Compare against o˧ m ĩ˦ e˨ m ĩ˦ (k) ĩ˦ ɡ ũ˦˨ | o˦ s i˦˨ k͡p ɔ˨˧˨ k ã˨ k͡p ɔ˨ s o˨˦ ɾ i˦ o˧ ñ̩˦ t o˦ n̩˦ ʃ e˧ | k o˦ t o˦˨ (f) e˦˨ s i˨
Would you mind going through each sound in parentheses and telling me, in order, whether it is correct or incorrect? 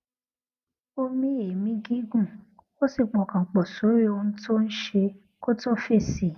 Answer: incorrect, correct

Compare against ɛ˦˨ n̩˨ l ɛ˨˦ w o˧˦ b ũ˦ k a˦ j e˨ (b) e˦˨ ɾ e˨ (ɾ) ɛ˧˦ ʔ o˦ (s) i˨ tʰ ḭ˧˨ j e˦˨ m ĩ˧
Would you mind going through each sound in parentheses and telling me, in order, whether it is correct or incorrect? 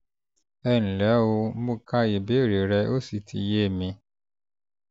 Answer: correct, correct, correct

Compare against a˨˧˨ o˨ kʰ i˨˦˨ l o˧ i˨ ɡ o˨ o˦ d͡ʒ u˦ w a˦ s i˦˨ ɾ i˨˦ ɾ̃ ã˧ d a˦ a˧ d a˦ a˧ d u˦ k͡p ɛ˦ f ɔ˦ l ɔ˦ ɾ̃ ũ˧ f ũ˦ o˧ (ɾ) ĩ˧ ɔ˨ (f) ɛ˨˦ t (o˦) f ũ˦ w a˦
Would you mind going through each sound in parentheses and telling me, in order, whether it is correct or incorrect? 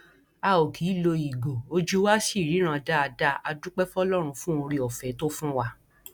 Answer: correct, correct, correct

